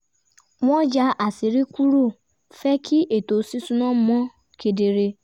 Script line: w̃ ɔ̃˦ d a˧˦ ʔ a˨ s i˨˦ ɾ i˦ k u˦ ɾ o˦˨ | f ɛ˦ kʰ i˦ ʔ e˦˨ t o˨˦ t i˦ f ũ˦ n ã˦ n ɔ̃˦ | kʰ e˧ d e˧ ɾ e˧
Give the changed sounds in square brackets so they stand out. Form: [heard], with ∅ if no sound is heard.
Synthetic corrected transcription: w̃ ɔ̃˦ [d͡ʒ] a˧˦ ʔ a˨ s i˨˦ ɾ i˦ k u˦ ɾ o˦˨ | f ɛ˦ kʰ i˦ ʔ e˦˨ t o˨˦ [s] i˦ [s] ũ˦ n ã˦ [m] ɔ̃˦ | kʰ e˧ d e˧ ɾ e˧

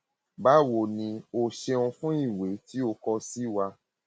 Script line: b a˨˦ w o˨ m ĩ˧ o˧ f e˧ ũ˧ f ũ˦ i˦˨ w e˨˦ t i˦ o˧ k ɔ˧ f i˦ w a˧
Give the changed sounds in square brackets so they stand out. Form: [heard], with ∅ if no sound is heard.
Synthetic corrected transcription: b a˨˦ w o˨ [n] ĩ˧ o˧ [ʃ] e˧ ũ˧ f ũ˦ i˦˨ w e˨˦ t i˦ o˧ k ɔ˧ [s] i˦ w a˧

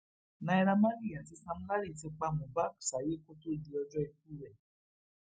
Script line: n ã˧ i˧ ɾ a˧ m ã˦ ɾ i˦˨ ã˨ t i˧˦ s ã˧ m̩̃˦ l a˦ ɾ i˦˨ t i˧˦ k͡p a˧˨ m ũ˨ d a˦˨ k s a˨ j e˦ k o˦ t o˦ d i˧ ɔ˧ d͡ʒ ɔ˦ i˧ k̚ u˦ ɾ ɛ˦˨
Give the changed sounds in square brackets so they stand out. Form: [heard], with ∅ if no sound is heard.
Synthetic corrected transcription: n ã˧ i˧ ɾ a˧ m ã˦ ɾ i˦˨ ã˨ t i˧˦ s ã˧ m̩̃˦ l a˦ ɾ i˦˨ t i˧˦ k͡p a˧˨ m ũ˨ [b] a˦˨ k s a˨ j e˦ k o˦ t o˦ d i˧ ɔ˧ d͡ʒ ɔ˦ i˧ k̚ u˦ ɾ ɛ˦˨

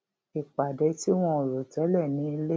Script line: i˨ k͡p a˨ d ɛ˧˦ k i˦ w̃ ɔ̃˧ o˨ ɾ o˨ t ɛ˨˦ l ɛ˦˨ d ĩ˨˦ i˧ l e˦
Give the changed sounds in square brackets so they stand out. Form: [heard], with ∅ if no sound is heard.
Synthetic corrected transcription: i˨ k͡p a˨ d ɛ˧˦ [t] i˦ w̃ ɔ̃˧ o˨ ɾ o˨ t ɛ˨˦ l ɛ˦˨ [n] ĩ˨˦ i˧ l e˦

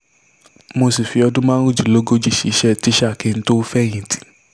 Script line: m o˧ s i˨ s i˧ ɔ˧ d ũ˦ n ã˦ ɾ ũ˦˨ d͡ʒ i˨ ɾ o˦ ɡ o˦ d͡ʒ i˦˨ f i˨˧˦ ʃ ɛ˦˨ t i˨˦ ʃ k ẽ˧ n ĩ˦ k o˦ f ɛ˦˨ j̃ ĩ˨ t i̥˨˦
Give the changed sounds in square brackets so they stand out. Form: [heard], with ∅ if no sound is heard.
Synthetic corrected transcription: m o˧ s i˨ [f] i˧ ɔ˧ d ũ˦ [m] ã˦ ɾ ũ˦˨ d͡ʒ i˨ [l] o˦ ɡ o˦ d͡ʒ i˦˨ [ʃ] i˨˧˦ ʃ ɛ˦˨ t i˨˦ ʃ k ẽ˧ n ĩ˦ [t] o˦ f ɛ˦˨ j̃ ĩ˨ t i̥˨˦

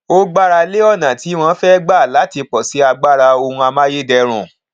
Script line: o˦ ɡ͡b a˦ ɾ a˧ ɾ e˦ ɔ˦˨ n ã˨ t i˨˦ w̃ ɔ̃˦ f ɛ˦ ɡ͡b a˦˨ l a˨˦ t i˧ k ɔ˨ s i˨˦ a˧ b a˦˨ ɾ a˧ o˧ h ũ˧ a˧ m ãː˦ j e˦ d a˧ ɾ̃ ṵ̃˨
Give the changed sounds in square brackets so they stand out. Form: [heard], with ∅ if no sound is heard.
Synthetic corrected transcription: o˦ ɡ͡b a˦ ɾ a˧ [l] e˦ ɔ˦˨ n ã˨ t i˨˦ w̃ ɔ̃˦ f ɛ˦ ɡ͡b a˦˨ l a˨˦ t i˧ [k͡p] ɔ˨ s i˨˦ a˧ [ɡ͡b] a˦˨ ɾ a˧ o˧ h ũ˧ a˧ m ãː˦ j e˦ d [ɛ˧] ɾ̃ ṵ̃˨

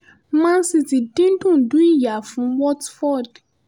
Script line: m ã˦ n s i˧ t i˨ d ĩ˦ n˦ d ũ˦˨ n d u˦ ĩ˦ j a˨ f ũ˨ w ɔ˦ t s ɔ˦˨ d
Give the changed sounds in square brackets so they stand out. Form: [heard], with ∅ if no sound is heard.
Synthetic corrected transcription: m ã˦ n s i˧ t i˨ d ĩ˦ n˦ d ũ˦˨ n d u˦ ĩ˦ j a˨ f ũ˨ w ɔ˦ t [f] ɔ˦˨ d

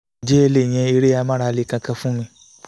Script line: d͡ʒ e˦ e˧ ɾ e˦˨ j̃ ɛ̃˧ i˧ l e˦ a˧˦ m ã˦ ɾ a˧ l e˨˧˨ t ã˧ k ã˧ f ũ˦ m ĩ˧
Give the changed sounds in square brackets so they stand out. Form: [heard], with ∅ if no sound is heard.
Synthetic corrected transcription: d͡ʒ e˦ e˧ [l] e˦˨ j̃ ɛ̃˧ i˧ [ɾ] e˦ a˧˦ m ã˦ ɾ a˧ l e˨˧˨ [k] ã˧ k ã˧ f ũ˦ m ĩ˧

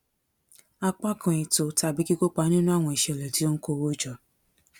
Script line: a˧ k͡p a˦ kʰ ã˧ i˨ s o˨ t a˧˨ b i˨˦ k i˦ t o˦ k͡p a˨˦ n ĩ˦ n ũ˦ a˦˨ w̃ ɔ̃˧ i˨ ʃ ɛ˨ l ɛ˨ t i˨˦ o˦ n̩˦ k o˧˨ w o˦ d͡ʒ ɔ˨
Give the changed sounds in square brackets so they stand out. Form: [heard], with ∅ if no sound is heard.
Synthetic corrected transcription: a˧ k͡p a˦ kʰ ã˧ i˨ [t] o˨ t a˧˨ b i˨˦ k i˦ [k] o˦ k͡p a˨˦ n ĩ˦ n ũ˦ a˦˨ w̃ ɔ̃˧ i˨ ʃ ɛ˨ l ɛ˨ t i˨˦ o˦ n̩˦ k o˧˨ w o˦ d͡ʒ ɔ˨

